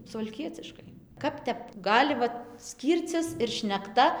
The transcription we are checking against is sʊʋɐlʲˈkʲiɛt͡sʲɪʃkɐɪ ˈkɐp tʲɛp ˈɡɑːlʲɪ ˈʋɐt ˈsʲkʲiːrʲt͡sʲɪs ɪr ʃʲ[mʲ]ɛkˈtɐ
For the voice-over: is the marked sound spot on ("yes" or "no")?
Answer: no